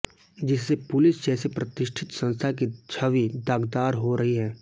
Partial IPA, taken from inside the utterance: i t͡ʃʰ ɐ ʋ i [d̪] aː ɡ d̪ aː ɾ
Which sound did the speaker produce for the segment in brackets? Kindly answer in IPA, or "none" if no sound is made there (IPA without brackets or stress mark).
d̪